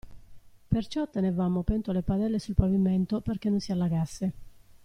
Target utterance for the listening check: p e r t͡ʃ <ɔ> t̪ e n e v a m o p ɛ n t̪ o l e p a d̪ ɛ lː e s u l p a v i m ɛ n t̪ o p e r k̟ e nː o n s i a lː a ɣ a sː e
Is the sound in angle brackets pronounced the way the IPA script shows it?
yes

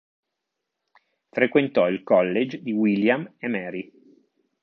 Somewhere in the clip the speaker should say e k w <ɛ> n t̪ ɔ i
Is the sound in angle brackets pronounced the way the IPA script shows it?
no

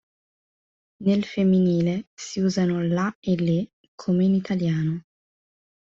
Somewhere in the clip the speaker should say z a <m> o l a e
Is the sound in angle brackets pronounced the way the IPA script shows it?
no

